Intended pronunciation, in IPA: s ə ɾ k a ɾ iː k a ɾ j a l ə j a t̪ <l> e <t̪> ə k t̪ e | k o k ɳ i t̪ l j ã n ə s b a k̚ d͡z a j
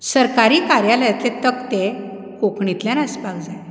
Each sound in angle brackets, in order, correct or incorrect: correct, correct

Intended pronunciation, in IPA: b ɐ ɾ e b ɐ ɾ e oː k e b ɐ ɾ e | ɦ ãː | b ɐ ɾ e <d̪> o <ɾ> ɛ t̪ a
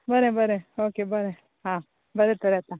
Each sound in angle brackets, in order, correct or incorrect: incorrect: t̪, correct

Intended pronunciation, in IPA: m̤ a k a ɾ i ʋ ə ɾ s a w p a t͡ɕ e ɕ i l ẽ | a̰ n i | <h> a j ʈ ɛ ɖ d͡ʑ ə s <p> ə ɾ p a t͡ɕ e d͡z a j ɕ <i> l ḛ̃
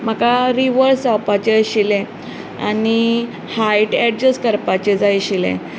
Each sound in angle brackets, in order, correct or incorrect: correct, incorrect: k, correct

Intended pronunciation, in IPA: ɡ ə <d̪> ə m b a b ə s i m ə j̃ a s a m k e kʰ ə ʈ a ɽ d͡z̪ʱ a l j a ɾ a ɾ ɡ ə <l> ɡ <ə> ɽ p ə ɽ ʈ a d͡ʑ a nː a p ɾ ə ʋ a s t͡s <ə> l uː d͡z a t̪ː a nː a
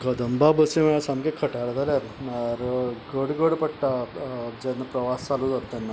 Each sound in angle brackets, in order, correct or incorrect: correct, incorrect: ɽ, correct, incorrect: a

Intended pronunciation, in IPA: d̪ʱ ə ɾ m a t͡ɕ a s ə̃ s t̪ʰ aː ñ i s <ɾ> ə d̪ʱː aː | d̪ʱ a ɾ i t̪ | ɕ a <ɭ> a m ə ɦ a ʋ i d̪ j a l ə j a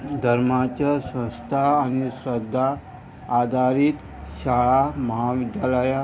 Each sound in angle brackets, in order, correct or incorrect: correct, correct

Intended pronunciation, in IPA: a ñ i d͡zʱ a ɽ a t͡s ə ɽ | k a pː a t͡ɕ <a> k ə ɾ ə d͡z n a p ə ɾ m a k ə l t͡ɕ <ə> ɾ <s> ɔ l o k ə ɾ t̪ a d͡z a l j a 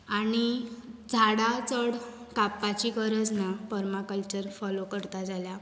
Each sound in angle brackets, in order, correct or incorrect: incorrect: i, correct, incorrect: f

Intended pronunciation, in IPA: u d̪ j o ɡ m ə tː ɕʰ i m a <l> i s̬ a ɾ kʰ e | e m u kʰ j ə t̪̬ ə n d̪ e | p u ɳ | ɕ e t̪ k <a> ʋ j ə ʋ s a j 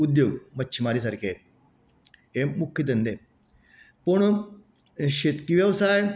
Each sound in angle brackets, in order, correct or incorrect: incorrect: ɾ, incorrect: i

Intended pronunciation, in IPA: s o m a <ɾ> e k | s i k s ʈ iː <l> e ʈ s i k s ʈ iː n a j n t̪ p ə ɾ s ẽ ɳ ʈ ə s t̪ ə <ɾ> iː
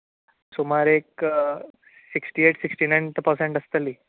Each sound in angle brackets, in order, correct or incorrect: correct, incorrect: none, incorrect: l

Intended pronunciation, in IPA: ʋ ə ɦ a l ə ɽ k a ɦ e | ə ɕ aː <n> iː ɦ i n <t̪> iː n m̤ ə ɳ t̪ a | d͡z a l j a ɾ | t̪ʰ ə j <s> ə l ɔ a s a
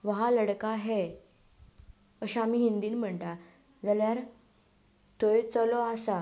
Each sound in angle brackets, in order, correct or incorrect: incorrect: m, incorrect: d̪, incorrect: t͡s

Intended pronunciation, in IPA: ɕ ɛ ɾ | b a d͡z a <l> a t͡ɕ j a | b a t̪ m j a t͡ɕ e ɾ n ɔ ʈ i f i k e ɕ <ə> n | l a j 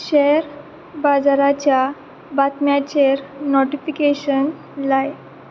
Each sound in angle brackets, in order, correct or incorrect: incorrect: ɾ, correct

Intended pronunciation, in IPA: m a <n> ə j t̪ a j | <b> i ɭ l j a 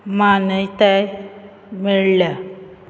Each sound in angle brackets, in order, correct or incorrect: correct, incorrect: m

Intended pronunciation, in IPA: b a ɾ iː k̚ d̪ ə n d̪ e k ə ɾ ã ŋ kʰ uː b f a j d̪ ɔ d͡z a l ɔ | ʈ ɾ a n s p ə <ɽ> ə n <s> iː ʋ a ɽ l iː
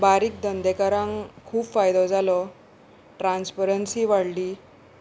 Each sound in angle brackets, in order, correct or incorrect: incorrect: ɾ, correct

